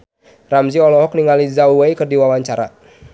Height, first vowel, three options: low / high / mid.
low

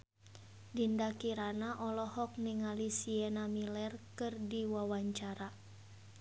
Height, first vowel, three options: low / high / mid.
high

